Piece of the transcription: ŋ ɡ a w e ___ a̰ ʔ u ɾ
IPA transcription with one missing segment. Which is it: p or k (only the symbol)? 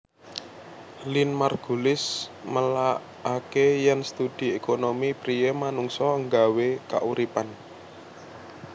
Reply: k